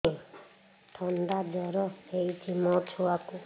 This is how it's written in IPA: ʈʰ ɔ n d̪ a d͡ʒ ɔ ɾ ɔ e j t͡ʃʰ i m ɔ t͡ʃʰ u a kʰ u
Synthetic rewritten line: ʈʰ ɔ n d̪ a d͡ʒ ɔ ɾ ɔ e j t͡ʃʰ i m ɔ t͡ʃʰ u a k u